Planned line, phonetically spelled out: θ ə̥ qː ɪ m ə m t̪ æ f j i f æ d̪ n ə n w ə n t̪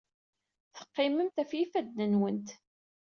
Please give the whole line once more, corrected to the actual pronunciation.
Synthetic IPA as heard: θ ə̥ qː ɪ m ə m t̪ æ f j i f æ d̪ n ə n w ə n t̪

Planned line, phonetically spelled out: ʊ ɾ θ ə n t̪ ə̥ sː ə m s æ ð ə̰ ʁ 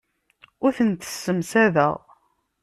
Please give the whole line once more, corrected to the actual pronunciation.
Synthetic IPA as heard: ʊ ɾ θ ə n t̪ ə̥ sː ə m s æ ð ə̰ ʁ

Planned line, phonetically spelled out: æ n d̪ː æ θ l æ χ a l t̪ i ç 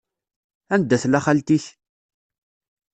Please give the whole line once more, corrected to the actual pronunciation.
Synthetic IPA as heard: æ n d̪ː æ θ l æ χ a l t̪ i ç

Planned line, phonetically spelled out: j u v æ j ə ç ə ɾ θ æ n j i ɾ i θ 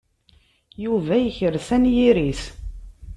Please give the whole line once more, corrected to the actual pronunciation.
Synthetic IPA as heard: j u v æ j ə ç ə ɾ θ æ n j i ɾ i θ

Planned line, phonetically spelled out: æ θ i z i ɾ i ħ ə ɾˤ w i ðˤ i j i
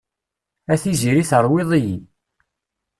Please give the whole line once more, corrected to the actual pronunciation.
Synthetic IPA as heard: æ θ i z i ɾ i θ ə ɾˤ w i ðˤ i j i

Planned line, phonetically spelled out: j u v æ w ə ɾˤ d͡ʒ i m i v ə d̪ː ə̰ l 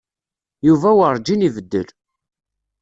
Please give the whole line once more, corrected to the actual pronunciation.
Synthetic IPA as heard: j u v æ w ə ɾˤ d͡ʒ i n i v ə d̪ː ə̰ l

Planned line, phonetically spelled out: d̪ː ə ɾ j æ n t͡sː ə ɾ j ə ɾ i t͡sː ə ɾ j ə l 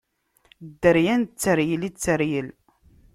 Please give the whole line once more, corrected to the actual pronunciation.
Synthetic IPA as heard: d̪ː ə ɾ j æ n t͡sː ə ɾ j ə l i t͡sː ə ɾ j ə l

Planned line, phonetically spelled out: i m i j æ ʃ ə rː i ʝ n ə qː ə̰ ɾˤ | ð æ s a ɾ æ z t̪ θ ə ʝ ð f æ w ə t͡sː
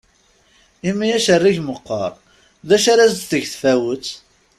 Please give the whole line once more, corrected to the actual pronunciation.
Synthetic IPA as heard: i m i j æ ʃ ə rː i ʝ m ə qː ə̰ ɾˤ | ð æ ʃ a ɾ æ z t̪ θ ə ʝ θ f æ w ə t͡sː

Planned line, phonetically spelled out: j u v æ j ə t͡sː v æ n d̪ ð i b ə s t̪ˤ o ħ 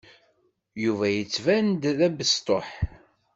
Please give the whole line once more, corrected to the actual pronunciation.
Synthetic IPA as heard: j u v æ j ə t͡sː v æ n d̪ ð æ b ə s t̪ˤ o ħ

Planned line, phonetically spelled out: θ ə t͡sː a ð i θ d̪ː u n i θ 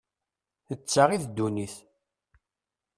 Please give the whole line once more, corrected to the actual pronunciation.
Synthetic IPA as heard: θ ə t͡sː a ʁ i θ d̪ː u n i θ

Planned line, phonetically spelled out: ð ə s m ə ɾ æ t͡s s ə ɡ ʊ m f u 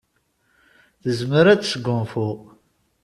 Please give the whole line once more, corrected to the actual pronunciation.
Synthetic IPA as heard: θ ə z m ə ɾ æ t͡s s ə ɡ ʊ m f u

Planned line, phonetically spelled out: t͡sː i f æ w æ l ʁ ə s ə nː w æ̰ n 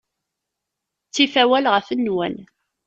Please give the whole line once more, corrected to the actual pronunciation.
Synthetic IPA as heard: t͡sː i f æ w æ l ʁ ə f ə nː w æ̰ n

